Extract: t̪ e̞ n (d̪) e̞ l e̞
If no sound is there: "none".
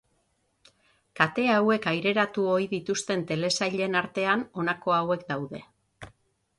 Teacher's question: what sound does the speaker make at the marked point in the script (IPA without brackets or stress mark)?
t̪